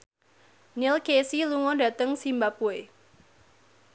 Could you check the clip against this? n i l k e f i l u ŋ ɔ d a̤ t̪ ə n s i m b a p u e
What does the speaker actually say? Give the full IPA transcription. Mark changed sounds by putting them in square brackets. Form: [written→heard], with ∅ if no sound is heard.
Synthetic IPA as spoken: n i l k e [f→s] i l u ŋ ɔ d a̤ t̪ ə [n→ŋ] s i m b a p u e